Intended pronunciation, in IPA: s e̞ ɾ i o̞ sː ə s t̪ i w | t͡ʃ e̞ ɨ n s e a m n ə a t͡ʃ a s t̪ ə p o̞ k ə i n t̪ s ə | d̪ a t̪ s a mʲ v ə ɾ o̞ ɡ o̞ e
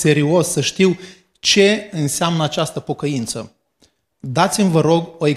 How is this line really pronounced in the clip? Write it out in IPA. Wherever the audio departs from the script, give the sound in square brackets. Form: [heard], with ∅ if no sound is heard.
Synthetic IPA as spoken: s e̞ ɾ i o̞ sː ə [ʃ] t̪ i w | t͡ʃ e̞ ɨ n s e a m n ə a t͡ʃ a s t̪ ə p o̞ k ə i n t̪ s ə | d̪ a t̪ s [i] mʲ v ə ɾ o̞ ɡ o̞ e